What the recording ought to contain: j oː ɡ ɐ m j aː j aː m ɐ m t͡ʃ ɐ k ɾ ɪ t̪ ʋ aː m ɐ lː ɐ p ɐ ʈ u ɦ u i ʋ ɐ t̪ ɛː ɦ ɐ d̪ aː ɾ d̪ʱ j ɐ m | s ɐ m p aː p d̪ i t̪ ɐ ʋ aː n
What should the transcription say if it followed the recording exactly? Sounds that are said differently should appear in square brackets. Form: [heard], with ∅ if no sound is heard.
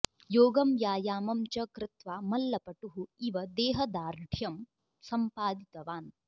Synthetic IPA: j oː ɡ ɐ m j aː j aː m ɐ m t͡ʃ ɐ k ɾ ɪ t̪ ʋ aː m ɐ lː ɐ p ɐ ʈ u ɦ u i ʋ ɐ [d̪] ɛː ɦ ɐ d̪ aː ɾ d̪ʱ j ɐ m | s ɐ m p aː [∅] d̪ i t̪ ɐ ʋ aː n